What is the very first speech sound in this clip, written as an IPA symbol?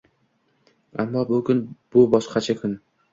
a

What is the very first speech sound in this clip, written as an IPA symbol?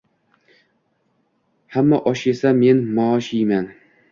h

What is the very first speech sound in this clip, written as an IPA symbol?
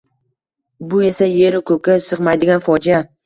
b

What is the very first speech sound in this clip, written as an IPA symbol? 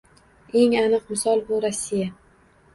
e̞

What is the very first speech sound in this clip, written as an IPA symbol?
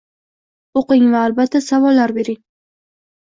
o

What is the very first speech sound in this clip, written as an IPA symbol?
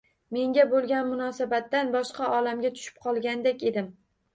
m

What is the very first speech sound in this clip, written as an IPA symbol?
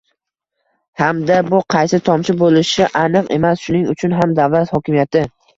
h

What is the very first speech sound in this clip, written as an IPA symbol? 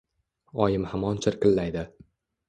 ɒ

